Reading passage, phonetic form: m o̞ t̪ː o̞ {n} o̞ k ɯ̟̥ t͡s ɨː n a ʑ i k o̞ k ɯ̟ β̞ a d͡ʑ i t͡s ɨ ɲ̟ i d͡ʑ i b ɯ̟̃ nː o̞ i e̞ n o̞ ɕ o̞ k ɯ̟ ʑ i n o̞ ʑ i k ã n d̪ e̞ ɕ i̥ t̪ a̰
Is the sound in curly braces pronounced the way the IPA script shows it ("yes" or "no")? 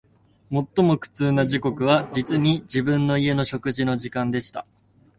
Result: no